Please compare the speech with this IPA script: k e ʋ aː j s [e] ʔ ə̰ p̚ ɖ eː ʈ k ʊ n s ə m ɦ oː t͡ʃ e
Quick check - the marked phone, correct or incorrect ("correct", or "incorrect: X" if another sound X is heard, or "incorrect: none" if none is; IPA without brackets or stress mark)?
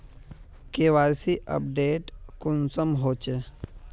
incorrect: i